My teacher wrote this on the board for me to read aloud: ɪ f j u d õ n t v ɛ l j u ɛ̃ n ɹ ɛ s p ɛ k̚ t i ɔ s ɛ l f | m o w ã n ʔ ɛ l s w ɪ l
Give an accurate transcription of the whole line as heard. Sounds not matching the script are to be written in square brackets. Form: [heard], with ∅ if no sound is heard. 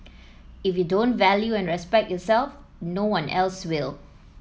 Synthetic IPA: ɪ f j u d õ n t v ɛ l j u ɛ̃ n ɹ ɛ s p ɛ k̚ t [j] ɔ s ɛ l f | [n] o w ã n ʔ ɛ l s w ɪ l